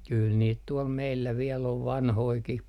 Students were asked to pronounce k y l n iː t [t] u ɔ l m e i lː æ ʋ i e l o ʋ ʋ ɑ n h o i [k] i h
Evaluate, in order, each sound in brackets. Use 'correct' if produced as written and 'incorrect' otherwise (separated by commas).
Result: correct, correct